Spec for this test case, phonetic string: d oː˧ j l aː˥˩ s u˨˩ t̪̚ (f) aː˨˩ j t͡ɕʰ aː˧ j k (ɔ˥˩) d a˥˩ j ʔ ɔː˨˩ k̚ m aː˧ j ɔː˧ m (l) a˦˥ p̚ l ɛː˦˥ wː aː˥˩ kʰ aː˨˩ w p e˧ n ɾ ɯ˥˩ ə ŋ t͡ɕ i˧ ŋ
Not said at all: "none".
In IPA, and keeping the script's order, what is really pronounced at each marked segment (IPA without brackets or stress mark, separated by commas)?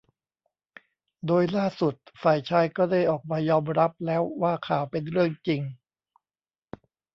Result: f, ɔː˥˩, ɾ